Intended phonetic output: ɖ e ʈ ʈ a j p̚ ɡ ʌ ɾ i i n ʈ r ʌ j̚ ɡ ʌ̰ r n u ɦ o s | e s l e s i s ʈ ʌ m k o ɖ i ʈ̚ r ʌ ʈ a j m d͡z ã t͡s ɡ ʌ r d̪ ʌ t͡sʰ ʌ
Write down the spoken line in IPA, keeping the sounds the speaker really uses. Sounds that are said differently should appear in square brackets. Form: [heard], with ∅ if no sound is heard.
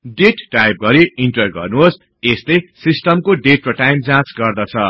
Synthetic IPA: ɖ e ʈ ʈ a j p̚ ɡ ʌ ɾ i i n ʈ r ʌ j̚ ɡ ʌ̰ r n u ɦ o s | e s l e s i s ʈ ʌ m k o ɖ [e] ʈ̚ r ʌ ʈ a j m d͡z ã t͡s ɡ ʌ r d̪ ʌ t͡sʰ ʌ